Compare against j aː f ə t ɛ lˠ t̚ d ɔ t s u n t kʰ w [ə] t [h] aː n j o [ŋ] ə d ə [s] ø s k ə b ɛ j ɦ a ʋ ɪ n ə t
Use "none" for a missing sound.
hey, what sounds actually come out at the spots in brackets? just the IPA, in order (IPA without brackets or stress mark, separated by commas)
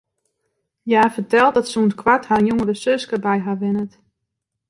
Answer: a, h, ŋ, s